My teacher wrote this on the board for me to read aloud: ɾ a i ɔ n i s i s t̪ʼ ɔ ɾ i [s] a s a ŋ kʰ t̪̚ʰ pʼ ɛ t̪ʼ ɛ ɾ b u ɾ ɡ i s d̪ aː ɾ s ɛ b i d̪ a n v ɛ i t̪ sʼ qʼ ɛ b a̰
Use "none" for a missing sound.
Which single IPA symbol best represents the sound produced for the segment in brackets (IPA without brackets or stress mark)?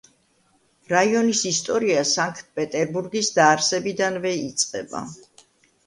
none